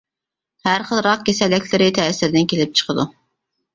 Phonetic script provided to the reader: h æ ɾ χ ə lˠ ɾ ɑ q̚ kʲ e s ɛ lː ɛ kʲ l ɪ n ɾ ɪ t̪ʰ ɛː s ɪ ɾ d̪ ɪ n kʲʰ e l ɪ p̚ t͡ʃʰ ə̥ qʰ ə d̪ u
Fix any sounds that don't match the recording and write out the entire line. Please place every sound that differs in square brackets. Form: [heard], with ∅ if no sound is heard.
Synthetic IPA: h æ ɾ χ ə lˠ ɾ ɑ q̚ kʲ e s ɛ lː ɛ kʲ l ɪ [∅] ɾ ɪ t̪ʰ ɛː s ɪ ɾ d̪ ɪ n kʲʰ e l ɪ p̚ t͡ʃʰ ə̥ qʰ ə d̪ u